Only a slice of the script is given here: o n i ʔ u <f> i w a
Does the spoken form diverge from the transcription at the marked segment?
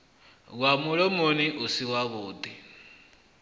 yes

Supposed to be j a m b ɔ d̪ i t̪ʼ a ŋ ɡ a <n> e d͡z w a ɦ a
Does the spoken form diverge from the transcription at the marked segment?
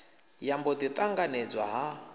no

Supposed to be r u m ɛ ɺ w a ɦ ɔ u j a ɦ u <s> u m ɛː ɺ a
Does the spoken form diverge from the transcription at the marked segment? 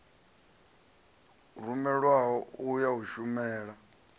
yes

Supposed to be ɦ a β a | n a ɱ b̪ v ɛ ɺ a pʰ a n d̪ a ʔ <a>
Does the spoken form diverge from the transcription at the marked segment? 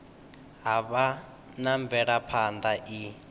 yes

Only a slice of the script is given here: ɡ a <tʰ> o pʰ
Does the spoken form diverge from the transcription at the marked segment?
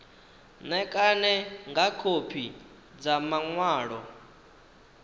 yes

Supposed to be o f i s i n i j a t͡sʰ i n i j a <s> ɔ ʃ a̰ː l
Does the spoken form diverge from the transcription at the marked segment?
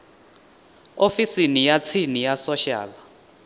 no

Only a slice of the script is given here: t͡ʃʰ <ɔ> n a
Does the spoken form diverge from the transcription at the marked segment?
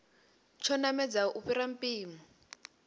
no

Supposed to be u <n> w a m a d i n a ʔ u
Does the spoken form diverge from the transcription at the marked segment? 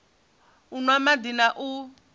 no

